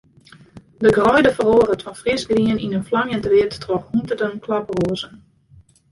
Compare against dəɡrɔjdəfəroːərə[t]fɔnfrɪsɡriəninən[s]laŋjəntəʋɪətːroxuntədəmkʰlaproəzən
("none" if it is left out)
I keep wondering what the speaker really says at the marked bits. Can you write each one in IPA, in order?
t, f

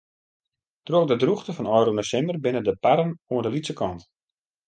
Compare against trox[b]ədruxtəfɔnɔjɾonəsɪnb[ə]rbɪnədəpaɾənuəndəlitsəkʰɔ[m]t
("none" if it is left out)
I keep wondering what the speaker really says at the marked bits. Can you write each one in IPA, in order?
d, ə, n

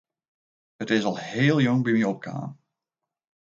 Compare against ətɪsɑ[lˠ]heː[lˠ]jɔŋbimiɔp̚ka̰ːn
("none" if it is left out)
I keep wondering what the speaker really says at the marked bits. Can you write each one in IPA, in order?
lˠ, lˠ

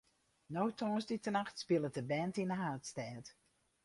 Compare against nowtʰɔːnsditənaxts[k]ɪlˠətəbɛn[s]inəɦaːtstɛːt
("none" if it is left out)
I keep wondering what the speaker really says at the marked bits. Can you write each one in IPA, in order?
p, t

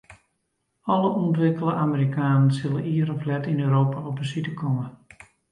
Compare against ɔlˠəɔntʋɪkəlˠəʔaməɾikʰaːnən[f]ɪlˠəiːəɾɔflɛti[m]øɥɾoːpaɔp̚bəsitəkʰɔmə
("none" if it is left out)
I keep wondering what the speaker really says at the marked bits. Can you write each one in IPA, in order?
s, n

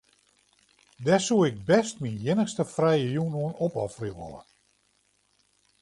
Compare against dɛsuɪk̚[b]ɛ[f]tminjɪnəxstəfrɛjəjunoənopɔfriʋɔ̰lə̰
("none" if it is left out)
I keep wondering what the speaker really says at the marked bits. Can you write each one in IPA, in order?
b, s

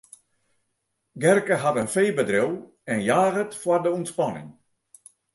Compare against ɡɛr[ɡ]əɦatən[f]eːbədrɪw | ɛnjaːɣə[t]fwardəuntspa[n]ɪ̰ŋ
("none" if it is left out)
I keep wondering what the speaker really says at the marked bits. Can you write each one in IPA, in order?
k, f, t, n

